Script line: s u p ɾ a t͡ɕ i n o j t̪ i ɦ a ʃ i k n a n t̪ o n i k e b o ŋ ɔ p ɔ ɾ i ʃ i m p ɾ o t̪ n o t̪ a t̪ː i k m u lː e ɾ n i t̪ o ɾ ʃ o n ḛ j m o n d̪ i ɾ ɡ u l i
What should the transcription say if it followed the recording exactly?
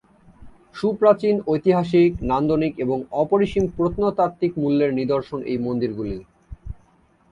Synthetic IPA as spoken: ʃ u p ɾ a t͡ɕ i n o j t̪ i ɦ a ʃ i k n a n d̪ o n i k e b o ŋ ɔ p o ɾ i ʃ i m p ɾ o t̪ n o t̪ a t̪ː i k m u lː e ɾ n i d̪ o ɾ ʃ o n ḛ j m o n d̪ i ɾ ɡ u l i